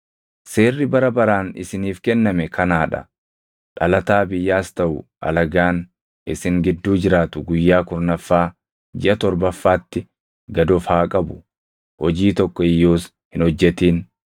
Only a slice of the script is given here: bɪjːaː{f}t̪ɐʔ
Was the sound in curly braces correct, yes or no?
no